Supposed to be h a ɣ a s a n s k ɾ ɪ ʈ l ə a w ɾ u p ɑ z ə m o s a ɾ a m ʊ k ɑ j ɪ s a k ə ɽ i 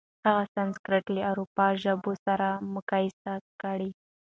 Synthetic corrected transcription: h a ɣ a s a n s k ɾ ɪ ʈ l ə a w ɾ u p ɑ ʒ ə b o s a ɾ a m ʊ k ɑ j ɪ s a k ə ɽ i

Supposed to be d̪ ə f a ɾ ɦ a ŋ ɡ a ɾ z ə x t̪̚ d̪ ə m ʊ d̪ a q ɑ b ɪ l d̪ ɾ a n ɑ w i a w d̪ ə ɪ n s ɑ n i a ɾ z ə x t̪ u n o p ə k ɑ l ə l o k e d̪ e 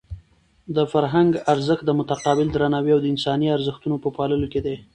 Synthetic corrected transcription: d̪ ə f a ɾ ɦ a ŋ ɡ a ɾ z ə x t̪̚ d̪ ə m ʊ t̪ a q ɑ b ɪ l d̪ ɾ a n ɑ w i a w d̪ ə ɪ n s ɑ n i a ɾ z ə x t̪ u n o p ə p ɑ l ə l o k e d̪ e

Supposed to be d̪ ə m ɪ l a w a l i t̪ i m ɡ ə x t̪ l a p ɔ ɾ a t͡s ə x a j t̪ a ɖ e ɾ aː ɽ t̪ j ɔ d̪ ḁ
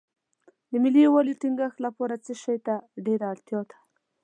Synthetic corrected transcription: d̪ ə m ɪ l i w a l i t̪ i ŋ ɡ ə x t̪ l a p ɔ ɾ a t͡s ə ʃ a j t̪ a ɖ e ɾ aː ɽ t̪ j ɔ d̪ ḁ

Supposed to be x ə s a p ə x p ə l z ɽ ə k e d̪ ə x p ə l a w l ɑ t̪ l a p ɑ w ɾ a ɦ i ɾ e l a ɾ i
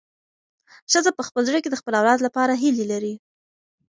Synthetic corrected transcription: ʃ ə z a p ə x p ə l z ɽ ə k e d̪ ə x p ə l a w l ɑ d̪ l a p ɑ ɾ a ɦ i l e l a ɾ i

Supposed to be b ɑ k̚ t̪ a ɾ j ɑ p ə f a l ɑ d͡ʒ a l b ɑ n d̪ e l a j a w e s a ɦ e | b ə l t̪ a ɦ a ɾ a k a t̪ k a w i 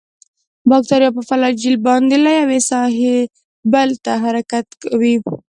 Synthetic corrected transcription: b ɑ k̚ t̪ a ɾ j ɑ p ə f a l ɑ d͡ʒ i l b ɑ n d̪ e l a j a w e s ɑ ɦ e | b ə l t̪ a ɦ a ɾ a k a t̪ k a w i

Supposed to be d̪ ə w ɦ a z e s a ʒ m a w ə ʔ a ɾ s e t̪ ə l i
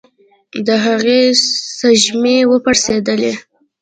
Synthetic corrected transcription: d̪ ə ɦ a ɣ e s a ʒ m e w ə p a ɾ s e d̪ ə l e

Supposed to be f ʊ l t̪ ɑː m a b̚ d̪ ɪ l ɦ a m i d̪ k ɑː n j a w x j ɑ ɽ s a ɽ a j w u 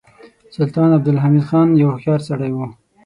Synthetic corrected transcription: s ʊ l t̪ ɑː n a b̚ d̪ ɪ l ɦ a m i d̪ x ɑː n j a w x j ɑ ɾ s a ɽ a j w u

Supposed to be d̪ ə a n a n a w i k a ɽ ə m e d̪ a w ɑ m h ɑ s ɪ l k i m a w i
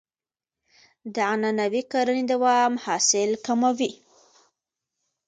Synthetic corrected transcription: d̪ ə a n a n a w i k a ɾ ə n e d̪ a w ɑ m h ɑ s ɪ l k a m a w i

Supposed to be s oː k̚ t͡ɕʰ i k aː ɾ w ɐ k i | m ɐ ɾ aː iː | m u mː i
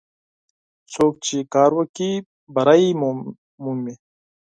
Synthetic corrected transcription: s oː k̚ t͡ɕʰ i k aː ɾ w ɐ k i | b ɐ ɾ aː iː | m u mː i

